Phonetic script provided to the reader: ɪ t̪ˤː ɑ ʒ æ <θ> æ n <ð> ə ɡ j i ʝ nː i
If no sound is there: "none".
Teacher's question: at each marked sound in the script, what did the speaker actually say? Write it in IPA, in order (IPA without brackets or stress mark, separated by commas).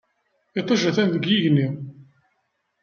θ, ð